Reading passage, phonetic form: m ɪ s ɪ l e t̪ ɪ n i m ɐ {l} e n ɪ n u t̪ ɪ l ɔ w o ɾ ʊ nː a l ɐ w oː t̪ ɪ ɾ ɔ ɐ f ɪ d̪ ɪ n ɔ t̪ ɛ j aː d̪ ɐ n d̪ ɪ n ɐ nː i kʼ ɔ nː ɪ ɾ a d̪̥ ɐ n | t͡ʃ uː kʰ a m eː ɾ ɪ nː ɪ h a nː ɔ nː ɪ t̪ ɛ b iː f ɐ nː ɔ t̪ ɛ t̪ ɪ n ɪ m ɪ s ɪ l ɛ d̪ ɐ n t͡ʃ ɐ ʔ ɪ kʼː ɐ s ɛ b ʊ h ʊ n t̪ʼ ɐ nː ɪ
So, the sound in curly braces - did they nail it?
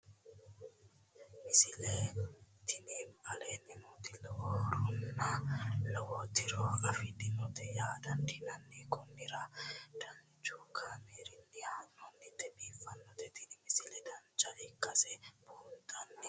yes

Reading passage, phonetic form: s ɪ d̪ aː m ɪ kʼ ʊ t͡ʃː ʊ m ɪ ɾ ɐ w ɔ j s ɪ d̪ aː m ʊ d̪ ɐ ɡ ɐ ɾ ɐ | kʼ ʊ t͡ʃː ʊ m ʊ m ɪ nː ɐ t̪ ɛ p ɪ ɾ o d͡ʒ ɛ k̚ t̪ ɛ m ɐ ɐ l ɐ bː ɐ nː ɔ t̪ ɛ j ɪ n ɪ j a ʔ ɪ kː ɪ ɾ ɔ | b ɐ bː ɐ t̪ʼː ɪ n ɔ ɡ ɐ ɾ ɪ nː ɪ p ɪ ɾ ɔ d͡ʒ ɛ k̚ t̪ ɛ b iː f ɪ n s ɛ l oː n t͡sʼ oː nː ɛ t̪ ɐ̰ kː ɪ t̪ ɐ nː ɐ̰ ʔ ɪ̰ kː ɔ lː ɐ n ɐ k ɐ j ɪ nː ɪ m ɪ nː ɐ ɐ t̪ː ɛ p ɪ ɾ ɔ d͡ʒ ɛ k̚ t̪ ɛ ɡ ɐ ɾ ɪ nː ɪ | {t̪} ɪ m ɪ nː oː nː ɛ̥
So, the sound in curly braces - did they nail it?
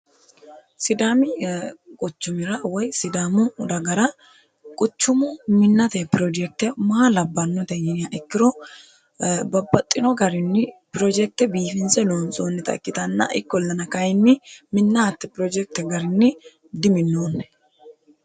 no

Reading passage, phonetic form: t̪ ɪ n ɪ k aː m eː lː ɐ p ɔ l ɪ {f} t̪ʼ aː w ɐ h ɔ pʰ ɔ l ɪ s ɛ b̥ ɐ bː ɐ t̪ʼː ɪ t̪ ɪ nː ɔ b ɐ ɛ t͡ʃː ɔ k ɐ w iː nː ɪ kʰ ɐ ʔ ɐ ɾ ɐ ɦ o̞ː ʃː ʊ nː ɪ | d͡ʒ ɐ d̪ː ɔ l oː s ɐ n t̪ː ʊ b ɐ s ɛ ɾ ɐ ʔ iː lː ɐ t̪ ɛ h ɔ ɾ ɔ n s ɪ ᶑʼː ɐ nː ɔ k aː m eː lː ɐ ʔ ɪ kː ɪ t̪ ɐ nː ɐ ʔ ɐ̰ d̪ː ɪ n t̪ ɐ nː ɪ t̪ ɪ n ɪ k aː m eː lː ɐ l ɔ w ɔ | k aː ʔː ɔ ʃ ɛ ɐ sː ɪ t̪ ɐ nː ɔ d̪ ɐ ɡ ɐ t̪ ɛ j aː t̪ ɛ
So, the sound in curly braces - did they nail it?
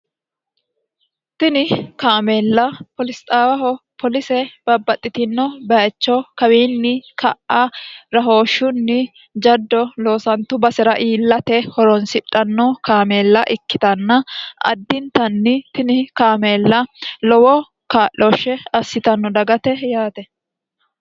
no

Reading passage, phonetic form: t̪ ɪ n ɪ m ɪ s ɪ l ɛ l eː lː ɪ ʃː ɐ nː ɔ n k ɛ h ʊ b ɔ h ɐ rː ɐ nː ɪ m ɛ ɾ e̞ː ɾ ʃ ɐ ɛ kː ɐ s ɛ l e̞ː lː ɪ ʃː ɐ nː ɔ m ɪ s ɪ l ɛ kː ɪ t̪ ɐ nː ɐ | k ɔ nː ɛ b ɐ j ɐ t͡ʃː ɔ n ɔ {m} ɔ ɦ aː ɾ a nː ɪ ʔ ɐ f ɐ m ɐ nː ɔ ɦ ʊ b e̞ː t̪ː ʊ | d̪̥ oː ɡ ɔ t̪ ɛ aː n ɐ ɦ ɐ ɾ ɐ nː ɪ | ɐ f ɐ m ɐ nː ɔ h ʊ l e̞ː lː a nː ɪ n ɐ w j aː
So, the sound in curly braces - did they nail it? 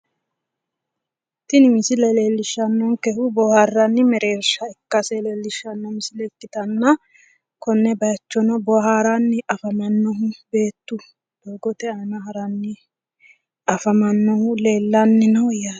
no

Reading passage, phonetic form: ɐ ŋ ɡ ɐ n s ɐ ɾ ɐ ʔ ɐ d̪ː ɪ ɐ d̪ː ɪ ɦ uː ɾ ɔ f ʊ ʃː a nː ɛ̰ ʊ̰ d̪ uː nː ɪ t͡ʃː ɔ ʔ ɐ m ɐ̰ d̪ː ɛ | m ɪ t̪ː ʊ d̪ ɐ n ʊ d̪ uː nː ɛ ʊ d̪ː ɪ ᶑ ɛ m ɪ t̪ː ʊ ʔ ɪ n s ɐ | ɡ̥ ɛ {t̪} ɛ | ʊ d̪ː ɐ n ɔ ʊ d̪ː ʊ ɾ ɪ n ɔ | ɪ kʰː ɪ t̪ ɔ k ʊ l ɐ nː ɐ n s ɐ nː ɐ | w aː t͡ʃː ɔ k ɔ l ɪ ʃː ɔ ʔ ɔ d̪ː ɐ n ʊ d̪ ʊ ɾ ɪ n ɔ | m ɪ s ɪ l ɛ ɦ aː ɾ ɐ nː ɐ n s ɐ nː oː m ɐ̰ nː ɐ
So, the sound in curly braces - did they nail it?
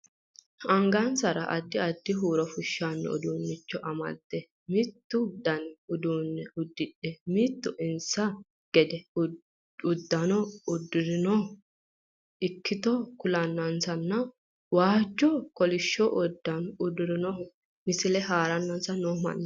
no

